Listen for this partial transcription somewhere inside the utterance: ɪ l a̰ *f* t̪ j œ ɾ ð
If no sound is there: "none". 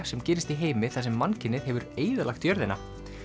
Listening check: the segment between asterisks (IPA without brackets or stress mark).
x